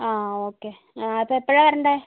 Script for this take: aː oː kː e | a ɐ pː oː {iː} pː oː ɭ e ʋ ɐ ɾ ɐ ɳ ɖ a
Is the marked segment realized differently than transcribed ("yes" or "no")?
yes